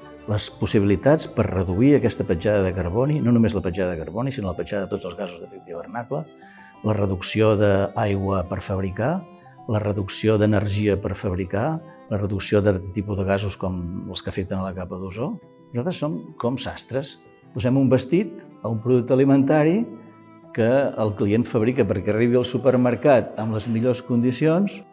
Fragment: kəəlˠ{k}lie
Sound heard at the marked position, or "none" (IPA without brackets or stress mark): k